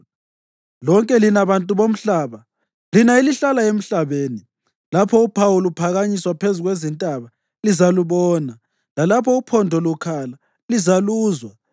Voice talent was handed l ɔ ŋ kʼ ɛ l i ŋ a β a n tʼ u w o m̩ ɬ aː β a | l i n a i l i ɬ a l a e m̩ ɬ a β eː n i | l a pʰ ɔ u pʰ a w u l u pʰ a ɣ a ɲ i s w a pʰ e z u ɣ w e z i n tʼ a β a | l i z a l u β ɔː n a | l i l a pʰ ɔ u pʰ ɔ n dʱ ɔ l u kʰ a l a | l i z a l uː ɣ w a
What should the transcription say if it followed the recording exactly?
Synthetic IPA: l ɔ ŋ kʼ ɛ l i n a β a n tʼ u β o m̩ ɬ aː β a | l i n a i l i ɬ a l a e m̩ ɬ a β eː n i | l a pʰ ɔ u pʰ a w u l u pʰ a ɣ a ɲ i s w a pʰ e z u ɣ w e z i n tʼ a β a | l i z a l u β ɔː n a | l a l a pʰ ɔ u pʰ ɔ n dʱ ɔ l u kʰ a l a | l i z a l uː z w a